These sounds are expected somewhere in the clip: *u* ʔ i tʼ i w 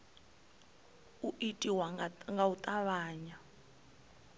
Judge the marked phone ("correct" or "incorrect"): correct